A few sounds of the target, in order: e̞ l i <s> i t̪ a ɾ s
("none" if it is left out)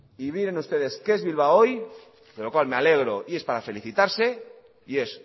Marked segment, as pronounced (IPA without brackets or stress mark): θ